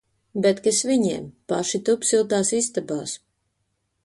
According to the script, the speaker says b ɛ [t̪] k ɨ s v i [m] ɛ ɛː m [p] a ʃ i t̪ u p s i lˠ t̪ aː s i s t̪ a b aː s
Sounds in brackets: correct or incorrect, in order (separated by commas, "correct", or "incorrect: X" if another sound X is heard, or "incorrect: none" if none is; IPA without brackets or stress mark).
correct, incorrect: ɲ, correct